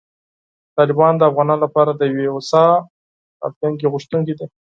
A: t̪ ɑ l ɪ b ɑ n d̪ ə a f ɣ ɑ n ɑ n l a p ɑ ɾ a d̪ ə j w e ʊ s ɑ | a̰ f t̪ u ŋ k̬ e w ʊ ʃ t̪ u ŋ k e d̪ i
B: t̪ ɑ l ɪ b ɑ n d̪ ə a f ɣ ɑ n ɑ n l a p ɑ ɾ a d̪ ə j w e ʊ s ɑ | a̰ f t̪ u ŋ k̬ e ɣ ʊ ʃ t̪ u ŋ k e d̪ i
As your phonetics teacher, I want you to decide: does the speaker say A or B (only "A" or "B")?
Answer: B